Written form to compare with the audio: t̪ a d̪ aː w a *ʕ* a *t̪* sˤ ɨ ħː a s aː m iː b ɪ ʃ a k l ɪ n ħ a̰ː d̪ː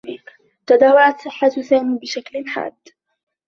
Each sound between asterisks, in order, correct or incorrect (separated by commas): correct, correct